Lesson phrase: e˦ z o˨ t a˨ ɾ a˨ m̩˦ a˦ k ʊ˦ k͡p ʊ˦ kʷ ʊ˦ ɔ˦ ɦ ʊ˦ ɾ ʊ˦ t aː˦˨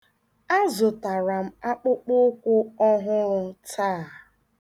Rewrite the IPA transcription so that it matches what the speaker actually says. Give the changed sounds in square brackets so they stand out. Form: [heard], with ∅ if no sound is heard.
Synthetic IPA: [a˦] z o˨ t a˨ ɾ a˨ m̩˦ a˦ [k͡p] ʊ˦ k͡p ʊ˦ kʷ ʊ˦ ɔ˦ ɦ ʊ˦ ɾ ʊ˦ t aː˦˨